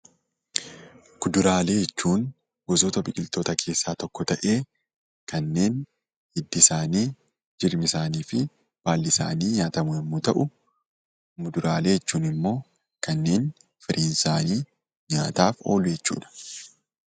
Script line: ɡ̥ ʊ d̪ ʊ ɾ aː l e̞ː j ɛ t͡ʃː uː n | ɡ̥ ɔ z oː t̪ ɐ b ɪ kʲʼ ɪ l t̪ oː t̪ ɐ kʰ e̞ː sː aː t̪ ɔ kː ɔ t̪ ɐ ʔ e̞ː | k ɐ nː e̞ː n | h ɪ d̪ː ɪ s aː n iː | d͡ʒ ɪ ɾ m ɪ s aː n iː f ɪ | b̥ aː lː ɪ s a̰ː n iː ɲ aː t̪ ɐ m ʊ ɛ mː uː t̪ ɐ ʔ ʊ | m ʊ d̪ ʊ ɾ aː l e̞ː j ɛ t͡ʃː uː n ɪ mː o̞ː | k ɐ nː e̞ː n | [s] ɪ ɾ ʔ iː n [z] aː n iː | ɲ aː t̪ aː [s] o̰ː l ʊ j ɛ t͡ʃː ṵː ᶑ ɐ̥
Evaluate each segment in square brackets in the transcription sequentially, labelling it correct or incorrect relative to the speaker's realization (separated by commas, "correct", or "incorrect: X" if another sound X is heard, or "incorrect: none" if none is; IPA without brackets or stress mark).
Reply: incorrect: f, incorrect: s, incorrect: f